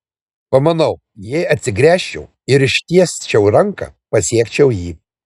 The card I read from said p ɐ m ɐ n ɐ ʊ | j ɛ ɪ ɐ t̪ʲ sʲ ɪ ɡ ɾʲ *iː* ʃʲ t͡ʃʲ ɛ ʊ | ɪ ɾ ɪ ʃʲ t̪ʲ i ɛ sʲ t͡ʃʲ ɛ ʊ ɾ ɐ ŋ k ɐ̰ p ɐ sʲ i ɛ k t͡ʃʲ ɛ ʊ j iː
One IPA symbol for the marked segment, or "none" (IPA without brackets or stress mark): æː